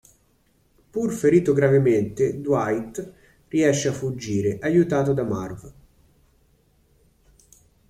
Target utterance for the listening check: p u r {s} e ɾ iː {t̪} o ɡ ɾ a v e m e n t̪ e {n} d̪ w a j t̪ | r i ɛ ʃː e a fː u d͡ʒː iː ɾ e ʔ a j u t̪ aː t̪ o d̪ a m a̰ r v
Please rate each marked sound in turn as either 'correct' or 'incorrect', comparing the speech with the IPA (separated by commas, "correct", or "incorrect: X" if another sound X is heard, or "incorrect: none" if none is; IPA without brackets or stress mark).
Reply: incorrect: f, correct, incorrect: none